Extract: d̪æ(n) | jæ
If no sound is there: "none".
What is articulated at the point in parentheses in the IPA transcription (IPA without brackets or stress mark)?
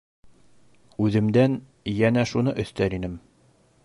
n